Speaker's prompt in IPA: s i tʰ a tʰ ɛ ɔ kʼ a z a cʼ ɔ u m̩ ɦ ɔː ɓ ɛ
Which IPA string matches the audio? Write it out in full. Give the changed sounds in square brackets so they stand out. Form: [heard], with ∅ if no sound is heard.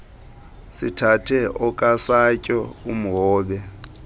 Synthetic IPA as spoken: s i tʰ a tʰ ɛ ɔ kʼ a [s] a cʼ ɔ u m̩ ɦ ɔː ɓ ɛ